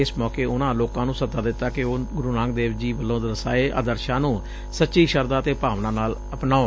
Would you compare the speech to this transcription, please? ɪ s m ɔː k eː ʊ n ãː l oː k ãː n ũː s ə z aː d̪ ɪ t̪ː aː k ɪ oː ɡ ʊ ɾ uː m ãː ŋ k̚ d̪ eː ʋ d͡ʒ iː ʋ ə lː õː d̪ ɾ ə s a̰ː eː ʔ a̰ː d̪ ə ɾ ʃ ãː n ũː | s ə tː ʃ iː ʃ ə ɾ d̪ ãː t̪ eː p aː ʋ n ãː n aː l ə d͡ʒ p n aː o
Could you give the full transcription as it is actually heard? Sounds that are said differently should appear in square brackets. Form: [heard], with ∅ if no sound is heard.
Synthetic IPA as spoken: ɪ s m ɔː k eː ʊ n ãː l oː k ãː n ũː s ə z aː d̪ ɪ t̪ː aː k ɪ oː ɡ ʊ ɾ uː [n] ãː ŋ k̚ d̪ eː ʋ d͡ʒ iː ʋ ə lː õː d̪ ɾ ə s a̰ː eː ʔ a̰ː d̪ ə ɾ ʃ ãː n ũː | s ə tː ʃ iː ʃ ə ɾ d̪ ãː t̪ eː p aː ʋ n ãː n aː l ə [∅] p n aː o